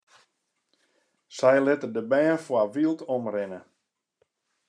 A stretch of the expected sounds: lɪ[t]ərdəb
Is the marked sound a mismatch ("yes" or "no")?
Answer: no